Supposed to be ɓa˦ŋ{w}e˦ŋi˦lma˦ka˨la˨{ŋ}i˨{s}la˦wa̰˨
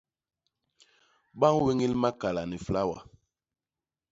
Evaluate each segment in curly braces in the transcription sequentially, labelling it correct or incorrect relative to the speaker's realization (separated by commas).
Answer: correct, incorrect, incorrect